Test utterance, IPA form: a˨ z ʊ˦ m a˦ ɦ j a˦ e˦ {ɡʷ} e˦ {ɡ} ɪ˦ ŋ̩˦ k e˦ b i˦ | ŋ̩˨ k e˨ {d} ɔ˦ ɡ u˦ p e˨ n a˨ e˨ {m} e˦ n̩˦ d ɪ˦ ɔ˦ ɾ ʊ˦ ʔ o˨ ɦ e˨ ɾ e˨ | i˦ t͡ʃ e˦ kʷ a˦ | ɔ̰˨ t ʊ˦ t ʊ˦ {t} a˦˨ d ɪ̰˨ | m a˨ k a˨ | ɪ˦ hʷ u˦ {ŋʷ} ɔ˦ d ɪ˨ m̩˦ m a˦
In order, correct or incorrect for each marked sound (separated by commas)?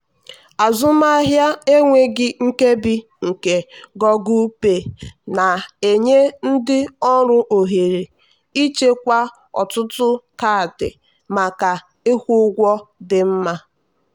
incorrect, correct, incorrect, incorrect, incorrect, incorrect